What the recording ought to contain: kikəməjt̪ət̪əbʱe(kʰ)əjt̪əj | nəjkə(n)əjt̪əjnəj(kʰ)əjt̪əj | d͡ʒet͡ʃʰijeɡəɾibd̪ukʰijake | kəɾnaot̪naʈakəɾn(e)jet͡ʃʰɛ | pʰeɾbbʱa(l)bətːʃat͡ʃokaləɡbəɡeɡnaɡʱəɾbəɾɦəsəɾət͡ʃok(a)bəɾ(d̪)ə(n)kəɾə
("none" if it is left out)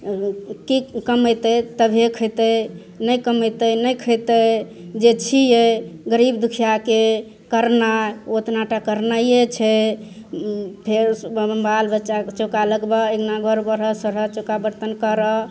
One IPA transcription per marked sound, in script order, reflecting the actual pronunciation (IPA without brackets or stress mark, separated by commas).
kʰ, m, kʰ, a, l, a, t̪, n